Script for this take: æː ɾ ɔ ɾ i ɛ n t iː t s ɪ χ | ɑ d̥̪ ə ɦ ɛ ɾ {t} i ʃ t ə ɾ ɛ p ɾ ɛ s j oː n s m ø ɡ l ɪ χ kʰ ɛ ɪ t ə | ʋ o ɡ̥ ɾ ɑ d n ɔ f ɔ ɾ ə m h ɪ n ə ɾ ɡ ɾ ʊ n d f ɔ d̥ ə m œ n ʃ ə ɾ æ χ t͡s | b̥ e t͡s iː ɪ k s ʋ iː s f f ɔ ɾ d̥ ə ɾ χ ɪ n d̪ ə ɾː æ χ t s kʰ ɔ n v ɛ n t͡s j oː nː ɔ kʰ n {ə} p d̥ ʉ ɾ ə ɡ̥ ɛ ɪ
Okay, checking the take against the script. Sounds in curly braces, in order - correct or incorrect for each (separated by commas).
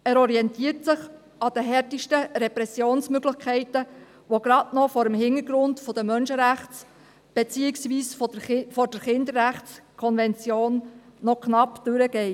correct, incorrect